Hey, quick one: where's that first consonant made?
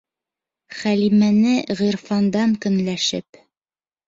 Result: uvula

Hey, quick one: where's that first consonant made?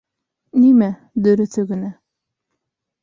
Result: tongue tip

